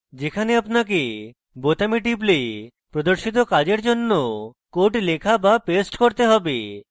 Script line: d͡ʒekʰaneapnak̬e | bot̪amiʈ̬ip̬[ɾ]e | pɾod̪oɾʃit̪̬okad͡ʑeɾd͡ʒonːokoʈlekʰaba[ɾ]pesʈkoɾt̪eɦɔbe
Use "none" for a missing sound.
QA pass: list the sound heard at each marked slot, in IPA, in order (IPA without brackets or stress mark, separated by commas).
l, none